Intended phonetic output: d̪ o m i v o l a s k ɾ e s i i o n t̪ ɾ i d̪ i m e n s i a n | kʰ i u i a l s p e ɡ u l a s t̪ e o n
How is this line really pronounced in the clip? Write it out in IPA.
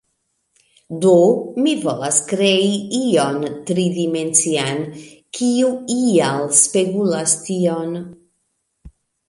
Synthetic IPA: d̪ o m i v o l a s k ɾ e i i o n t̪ ɾ i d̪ i m e n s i a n | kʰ i u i a l s p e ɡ u l a s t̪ i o n